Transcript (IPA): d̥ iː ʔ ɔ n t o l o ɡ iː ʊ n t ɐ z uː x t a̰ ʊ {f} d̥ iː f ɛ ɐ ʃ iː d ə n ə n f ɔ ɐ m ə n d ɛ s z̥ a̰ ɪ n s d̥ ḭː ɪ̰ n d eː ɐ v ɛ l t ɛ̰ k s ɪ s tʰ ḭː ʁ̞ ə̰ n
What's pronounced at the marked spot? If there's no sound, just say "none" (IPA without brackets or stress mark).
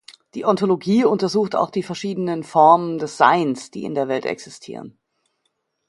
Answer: x